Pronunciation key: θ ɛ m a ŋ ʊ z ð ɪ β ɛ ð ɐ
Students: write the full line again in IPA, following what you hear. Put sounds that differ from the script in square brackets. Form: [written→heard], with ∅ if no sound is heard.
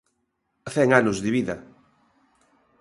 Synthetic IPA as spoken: θ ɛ [m→ŋ] a [ŋ→n] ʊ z ð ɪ β [ɛ→i] ð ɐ